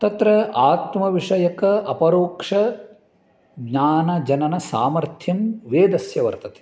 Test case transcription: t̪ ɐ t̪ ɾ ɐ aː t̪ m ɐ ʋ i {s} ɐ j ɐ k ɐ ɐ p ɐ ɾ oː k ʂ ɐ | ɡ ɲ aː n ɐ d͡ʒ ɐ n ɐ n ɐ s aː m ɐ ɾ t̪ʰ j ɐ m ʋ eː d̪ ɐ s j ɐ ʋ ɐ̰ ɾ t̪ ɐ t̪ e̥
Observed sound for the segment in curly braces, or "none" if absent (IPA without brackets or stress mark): ʂ